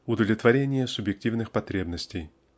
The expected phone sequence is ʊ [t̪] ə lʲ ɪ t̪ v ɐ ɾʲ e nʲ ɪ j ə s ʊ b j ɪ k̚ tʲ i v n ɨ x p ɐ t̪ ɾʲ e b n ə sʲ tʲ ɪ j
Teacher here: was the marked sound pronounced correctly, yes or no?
no